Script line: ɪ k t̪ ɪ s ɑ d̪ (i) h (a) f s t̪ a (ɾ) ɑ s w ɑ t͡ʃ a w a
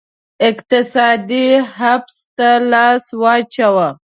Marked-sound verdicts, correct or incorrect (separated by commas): correct, correct, incorrect